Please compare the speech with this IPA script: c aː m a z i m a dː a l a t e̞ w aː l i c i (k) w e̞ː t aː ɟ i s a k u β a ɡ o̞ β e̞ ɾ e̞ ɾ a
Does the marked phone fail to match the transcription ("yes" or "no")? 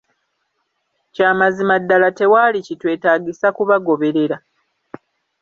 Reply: yes